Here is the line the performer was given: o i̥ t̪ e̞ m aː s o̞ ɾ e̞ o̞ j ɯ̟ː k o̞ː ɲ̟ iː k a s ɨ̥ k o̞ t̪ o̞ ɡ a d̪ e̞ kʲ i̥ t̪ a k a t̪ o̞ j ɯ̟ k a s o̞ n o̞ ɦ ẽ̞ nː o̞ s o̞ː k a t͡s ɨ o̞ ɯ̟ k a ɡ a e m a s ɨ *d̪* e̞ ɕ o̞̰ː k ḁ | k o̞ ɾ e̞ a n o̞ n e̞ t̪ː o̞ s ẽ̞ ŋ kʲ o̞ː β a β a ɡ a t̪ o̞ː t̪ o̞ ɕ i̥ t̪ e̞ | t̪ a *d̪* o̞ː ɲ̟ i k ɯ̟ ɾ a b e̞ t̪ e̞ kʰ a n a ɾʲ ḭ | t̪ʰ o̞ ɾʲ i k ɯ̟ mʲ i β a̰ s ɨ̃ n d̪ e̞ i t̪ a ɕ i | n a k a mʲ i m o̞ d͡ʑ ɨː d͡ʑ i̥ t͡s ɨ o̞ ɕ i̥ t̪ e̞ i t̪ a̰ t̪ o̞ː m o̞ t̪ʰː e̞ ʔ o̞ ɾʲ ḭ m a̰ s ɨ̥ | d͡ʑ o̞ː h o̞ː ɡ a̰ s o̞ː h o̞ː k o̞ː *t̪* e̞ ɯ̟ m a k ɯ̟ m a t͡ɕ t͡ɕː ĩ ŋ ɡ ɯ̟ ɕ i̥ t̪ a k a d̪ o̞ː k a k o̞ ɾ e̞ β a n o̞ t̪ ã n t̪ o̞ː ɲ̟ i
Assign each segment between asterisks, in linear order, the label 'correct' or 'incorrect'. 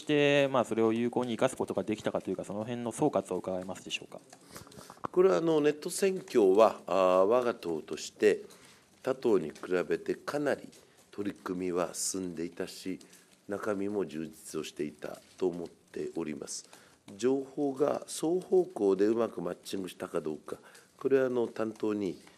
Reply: correct, incorrect, incorrect

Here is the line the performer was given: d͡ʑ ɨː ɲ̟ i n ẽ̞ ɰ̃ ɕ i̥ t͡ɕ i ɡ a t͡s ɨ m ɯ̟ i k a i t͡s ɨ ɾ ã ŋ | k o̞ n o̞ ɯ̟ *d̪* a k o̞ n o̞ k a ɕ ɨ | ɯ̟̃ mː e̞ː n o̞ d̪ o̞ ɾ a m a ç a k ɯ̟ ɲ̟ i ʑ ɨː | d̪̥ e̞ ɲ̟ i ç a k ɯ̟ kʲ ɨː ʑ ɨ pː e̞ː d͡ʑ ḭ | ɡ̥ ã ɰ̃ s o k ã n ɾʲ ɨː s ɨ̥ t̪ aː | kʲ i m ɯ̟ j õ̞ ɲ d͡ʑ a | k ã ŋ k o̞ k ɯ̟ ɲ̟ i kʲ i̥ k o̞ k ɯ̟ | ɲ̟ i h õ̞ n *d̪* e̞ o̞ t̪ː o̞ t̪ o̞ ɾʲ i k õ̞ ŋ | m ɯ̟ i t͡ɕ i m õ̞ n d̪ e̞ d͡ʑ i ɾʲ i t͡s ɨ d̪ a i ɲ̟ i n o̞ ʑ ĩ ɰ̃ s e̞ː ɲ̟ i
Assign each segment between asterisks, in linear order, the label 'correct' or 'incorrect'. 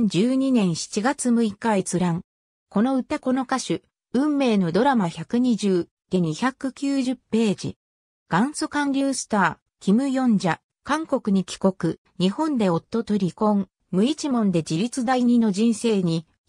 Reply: incorrect, correct

